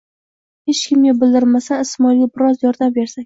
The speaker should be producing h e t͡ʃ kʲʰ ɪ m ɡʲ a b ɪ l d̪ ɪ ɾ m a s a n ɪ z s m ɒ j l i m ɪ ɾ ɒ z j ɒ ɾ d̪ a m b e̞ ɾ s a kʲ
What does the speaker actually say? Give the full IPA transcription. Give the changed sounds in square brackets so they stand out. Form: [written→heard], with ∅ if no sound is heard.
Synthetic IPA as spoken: h e t͡ʃ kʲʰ ɪ m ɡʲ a b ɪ l d̪ ɪ ɾ m a s a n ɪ [z→∅] s m ɒ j l i [m→b] ɪ ɾ ɒ z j ɒ ɾ d̪ a m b e̞ ɾ s a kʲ